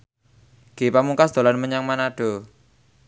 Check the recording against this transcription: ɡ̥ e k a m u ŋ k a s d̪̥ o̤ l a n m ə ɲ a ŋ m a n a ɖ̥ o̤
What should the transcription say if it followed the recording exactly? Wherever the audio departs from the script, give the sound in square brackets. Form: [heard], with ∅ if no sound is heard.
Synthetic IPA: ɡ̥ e [p] a m u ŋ k a s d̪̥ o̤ l a n m ə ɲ a ŋ m a n a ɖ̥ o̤